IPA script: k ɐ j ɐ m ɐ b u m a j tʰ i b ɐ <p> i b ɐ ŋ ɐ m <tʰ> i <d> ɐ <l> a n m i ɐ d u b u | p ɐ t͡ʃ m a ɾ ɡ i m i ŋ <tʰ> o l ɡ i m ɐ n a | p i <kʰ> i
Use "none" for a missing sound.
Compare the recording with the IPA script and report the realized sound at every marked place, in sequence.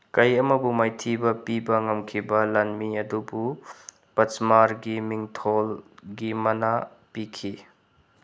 p, kʰ, b, l, tʰ, kʰ

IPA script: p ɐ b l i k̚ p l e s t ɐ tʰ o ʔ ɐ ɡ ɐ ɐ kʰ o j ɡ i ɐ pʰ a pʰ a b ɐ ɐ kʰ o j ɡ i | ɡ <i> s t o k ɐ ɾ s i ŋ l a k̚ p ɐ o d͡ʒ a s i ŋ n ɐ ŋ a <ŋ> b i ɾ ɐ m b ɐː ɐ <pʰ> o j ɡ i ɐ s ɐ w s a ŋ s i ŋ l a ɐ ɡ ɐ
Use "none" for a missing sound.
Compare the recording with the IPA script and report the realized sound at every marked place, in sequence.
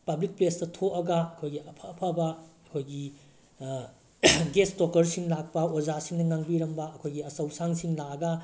e, ŋ, kʰ

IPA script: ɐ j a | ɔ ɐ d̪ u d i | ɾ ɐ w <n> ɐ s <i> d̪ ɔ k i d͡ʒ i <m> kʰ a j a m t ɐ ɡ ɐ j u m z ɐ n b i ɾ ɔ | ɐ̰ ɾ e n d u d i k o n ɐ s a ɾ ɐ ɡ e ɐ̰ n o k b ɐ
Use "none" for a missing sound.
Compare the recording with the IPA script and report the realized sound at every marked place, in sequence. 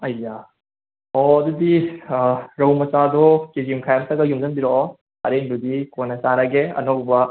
m, a, m

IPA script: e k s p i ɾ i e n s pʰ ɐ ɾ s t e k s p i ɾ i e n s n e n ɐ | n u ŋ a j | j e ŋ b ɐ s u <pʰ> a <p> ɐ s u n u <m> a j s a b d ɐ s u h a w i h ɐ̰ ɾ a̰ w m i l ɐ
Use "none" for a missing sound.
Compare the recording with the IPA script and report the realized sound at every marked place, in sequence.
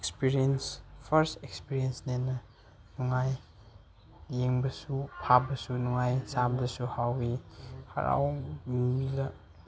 pʰ, b, ŋ

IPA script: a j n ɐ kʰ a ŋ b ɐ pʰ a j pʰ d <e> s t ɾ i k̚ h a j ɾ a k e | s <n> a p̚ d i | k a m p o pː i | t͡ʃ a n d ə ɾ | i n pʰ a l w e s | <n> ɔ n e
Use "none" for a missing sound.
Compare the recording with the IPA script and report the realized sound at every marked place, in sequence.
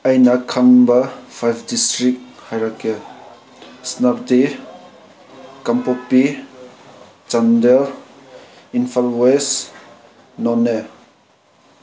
i, n, n

